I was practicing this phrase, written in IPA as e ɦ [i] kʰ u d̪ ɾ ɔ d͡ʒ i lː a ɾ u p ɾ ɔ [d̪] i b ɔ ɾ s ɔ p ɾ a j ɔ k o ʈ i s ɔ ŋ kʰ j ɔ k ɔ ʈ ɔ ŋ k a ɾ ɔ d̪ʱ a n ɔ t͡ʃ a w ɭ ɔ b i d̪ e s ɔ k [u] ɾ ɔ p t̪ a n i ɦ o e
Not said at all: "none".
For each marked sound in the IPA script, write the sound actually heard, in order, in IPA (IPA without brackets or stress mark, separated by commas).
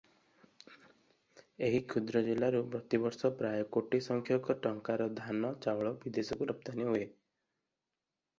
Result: i, t̪, u